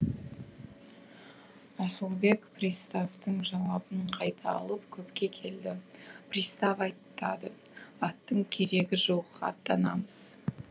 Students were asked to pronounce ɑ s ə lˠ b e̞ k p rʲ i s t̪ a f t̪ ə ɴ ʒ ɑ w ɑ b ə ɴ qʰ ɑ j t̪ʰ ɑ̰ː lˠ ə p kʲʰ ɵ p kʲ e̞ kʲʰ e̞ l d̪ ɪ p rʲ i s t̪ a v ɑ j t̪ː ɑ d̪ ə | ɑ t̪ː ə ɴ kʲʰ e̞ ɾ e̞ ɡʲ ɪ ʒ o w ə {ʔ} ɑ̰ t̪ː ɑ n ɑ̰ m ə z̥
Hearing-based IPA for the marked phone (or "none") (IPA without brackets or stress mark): q